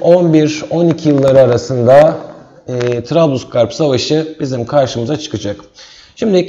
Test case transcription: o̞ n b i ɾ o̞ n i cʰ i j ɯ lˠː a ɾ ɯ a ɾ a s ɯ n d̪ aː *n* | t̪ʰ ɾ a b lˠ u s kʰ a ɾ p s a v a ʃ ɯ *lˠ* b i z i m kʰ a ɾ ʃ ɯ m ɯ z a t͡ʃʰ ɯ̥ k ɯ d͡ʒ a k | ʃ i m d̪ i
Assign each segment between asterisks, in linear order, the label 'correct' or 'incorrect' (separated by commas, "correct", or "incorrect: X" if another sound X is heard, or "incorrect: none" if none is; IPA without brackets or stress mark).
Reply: incorrect: none, incorrect: none